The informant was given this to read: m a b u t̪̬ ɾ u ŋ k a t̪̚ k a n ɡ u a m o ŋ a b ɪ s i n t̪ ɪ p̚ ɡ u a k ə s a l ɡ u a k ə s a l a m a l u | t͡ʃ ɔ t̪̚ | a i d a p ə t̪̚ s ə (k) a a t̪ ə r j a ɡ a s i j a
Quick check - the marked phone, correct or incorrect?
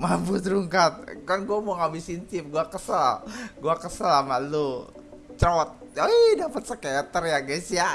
correct